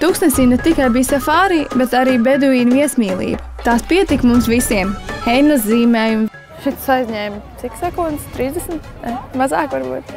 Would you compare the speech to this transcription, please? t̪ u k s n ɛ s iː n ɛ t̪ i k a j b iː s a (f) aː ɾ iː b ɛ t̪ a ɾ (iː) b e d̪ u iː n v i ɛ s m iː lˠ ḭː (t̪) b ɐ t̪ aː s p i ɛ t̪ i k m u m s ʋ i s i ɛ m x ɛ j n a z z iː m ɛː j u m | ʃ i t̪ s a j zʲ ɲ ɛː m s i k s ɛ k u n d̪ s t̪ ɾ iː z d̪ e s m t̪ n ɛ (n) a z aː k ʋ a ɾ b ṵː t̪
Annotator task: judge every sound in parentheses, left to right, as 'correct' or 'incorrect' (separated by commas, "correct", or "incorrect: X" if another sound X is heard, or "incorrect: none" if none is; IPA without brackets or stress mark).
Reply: correct, correct, incorrect: none, incorrect: m